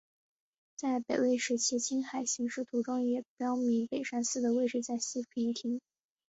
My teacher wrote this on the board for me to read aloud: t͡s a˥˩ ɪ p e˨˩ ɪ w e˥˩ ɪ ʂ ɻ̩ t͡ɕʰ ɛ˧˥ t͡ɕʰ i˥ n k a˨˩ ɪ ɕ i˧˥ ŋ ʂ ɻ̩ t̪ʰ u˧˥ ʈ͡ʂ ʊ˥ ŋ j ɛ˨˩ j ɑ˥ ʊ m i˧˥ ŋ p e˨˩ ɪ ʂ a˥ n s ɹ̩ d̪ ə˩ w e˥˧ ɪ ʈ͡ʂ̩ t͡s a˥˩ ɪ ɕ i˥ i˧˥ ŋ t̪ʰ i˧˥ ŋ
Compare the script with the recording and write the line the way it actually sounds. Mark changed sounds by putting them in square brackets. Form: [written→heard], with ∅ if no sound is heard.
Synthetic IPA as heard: t͡s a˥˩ ɪ p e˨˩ ɪ w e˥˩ ɪ ʂ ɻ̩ t͡ɕʰ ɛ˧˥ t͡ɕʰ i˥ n [k→x] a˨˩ ɪ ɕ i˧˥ ŋ ʂ ɻ̩ t̪ʰ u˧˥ ʈ͡ʂ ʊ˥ ŋ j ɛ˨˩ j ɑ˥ ʊ m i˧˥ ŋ p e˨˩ ɪ ʂ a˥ n s ɹ̩ d̪ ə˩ w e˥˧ ɪ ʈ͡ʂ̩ t͡s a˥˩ ɪ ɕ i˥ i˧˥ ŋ t̪ʰ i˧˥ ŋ